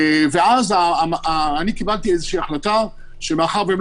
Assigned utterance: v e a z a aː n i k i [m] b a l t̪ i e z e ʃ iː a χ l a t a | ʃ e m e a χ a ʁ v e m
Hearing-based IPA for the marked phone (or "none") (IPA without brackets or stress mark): none